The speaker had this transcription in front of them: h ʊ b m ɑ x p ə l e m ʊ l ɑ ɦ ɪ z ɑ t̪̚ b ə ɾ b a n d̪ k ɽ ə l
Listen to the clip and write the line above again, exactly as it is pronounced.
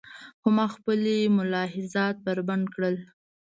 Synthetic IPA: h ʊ m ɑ x p ə l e m ʊ l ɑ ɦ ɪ z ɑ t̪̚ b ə ɾ b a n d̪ k ɽ ə l